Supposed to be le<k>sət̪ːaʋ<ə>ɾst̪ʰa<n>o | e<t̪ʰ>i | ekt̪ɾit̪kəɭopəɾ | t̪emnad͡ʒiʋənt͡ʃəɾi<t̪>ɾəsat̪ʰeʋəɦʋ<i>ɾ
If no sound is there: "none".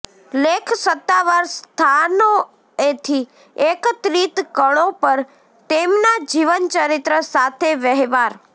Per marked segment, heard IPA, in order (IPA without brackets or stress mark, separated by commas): kʰ, a, n, t̪ʰ, t̪, a